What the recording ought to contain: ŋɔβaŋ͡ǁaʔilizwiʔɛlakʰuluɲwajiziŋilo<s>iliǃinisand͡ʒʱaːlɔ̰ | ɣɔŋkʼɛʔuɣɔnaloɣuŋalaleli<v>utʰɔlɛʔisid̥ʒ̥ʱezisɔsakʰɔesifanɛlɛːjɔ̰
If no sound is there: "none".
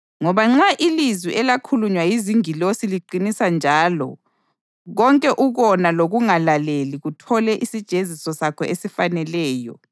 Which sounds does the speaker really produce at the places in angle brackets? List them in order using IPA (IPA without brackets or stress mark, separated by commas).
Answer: s, ɣ